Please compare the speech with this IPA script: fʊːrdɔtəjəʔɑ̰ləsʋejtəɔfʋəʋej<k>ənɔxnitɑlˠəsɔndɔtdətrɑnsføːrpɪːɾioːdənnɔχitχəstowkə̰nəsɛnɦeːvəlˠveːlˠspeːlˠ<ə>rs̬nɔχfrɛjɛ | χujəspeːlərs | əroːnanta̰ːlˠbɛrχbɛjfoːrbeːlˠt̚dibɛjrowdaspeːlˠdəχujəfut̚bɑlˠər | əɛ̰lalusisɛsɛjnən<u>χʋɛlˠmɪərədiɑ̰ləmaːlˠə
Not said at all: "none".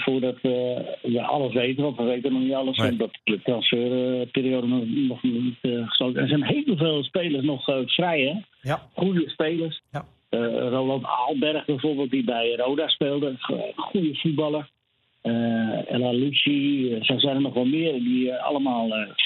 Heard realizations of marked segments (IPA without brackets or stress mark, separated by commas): t, ə, ɔ